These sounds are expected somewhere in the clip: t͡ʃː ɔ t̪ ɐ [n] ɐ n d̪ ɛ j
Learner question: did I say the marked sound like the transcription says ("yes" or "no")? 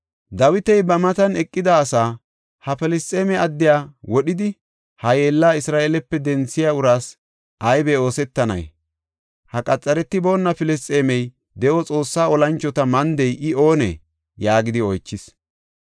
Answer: no